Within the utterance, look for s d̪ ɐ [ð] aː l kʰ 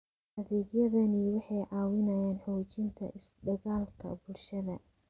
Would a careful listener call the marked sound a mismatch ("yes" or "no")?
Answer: yes